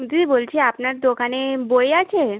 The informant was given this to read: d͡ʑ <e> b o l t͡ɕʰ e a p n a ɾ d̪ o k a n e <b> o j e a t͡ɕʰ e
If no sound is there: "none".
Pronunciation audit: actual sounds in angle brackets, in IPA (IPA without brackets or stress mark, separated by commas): i, b